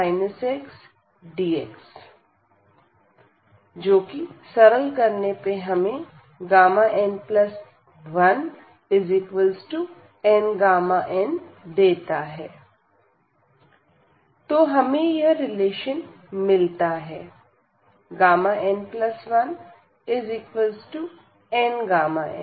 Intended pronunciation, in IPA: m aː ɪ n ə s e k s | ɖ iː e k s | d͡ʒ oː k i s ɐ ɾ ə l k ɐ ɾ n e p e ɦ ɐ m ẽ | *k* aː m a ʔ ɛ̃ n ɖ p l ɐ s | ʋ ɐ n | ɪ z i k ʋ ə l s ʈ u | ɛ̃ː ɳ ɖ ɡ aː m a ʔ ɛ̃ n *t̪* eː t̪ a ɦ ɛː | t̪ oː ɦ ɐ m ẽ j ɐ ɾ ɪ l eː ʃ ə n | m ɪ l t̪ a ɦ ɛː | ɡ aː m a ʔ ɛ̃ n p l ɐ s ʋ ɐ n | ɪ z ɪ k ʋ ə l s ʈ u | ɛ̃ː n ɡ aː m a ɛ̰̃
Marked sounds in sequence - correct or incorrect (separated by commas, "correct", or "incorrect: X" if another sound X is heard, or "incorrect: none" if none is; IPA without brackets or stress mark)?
incorrect: ɡ, incorrect: d̪